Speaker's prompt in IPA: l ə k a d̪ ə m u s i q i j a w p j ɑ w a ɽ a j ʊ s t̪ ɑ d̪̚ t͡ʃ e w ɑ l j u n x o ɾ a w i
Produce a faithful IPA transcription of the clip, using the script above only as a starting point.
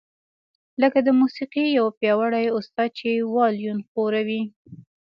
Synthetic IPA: l ə k a d̪ ə m u s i q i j a w p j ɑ w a ɽ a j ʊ s t̪ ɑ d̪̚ t͡ʃ e w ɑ l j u n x o ɾ a w i